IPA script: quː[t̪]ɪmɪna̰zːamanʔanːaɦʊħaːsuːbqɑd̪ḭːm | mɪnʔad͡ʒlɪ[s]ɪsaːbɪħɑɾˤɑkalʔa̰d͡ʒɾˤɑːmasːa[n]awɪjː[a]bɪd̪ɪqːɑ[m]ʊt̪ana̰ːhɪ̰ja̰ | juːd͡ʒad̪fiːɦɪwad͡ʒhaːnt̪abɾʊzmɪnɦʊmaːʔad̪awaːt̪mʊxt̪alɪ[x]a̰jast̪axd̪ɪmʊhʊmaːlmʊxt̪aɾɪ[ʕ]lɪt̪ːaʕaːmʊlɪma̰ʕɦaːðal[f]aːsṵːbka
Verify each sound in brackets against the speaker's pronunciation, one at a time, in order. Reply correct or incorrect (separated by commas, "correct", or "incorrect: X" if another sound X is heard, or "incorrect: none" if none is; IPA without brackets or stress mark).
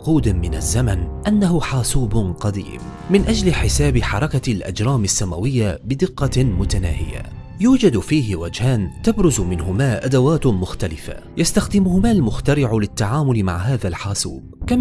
incorrect: d̪, incorrect: ħ, incorrect: m, correct, correct, incorrect: f, correct, incorrect: ħ